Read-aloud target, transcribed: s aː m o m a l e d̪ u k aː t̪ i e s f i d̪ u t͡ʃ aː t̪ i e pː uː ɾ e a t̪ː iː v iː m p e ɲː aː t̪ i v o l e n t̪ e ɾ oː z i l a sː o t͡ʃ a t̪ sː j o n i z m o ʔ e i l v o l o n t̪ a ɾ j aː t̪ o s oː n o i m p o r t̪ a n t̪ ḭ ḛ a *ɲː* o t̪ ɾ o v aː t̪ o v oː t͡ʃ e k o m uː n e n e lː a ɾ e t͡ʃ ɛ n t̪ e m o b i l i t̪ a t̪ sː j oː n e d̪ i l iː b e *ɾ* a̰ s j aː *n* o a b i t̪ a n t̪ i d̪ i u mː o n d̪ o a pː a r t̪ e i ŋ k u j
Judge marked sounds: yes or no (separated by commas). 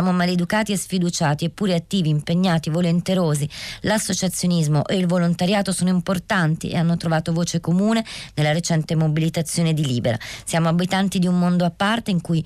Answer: no, yes, no